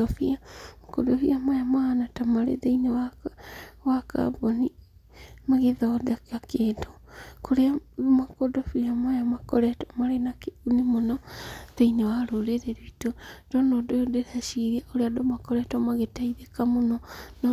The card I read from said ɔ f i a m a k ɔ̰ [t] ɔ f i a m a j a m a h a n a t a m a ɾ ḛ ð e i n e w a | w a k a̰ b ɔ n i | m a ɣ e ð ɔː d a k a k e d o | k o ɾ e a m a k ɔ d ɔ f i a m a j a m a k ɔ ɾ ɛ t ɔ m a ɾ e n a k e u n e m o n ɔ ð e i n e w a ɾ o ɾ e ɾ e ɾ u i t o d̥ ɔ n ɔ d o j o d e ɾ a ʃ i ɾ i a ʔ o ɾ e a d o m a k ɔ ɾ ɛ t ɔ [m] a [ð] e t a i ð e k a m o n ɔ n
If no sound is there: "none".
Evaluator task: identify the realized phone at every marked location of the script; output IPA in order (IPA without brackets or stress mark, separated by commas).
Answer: d, m, ɣ